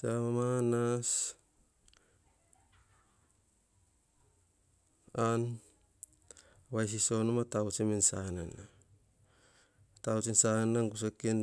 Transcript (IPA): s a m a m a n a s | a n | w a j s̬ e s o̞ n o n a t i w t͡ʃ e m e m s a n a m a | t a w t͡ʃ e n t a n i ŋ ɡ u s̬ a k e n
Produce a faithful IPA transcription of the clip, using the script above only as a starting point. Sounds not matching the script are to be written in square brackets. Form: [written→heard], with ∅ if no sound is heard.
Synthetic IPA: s a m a m a n a s | a n | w a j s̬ [e→i] s o̞ n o [n→m] a t [i→a] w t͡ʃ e m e [m→n] s a n a [m→n] a | t a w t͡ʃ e n [t→s] a n [i→a] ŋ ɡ u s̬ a k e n